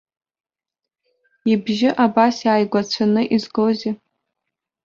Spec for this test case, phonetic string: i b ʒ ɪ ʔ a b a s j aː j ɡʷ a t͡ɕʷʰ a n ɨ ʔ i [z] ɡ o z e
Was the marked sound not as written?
no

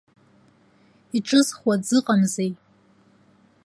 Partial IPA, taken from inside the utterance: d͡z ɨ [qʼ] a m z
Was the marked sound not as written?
no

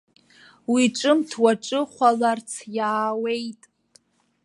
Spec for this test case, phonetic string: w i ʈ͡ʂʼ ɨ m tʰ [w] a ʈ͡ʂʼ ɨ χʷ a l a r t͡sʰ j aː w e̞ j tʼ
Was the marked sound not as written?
no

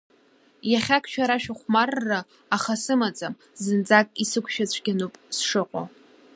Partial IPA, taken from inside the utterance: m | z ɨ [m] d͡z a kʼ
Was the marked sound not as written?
yes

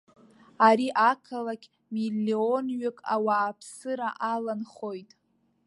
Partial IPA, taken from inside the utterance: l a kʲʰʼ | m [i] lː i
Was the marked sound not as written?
no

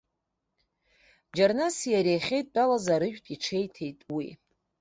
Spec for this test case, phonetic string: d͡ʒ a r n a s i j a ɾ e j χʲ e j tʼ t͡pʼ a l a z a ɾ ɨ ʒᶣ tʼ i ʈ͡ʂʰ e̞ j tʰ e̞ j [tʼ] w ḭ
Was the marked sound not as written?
no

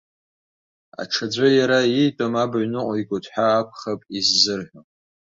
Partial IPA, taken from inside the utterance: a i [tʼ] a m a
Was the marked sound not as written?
no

